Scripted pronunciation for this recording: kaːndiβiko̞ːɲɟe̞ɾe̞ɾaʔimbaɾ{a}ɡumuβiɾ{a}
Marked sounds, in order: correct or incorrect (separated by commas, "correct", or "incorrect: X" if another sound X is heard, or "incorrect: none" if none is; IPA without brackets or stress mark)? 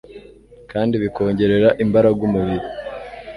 correct, incorrect: i